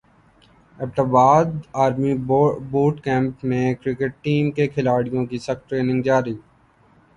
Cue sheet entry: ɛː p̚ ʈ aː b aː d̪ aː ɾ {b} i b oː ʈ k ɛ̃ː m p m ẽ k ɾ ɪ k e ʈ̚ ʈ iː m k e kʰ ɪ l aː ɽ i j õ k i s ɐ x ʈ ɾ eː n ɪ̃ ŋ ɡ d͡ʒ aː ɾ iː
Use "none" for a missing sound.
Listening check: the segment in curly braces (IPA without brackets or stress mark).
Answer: m